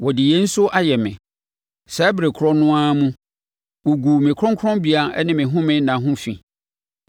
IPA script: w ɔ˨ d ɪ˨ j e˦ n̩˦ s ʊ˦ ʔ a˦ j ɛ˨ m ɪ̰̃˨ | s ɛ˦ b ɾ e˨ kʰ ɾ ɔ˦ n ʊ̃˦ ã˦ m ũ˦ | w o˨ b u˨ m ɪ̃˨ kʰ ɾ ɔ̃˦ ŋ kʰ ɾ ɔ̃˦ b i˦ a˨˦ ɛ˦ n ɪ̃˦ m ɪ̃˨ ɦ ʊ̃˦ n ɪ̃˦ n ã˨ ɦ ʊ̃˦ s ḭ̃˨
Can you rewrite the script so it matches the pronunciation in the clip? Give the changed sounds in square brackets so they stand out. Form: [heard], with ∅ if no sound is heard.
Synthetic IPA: w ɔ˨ d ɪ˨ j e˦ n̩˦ s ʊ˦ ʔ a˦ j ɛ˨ m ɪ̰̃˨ | s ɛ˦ b ɾ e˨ kʰ ɾ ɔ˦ n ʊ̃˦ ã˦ m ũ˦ | w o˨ [ɡ] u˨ m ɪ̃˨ kʰ ɾ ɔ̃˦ ŋ kʰ ɾ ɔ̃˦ b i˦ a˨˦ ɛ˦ n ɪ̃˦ m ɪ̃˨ ɦ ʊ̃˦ [m] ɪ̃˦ n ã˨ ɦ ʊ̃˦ [f] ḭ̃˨